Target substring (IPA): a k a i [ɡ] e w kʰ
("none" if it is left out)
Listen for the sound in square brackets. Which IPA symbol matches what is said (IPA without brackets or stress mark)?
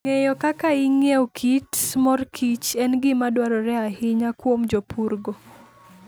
ŋ